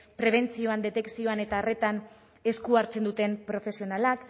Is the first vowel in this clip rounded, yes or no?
no